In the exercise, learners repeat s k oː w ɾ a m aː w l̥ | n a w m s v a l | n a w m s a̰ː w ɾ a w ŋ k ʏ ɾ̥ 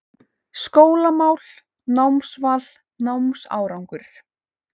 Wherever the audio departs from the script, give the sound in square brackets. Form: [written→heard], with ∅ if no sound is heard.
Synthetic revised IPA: s k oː w [ɾ→l] a m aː w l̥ | n a w m s v a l | n a w m s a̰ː w ɾ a w ŋ k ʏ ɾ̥